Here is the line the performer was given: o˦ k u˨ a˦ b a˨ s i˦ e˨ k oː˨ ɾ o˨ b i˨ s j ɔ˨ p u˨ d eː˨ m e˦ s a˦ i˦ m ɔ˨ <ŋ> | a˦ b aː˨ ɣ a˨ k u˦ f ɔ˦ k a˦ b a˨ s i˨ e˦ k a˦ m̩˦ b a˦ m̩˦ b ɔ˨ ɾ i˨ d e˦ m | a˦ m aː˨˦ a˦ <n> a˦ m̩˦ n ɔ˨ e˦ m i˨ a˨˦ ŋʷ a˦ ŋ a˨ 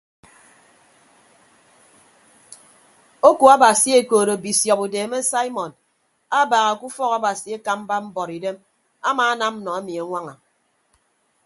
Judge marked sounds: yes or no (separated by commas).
no, yes